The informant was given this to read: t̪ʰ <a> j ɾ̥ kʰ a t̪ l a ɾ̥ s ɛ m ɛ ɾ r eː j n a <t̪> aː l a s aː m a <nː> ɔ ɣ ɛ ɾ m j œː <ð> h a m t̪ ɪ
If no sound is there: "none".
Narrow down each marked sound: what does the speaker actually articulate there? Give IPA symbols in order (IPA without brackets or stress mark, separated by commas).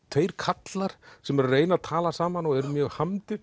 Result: e, t̪ʰ, n, ɣ